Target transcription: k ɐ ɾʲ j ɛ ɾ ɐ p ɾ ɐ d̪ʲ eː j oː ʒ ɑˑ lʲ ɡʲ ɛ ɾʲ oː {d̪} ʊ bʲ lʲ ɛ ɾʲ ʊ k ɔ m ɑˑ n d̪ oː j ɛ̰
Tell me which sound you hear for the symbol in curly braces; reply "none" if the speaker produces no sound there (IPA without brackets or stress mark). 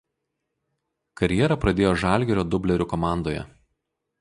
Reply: d̪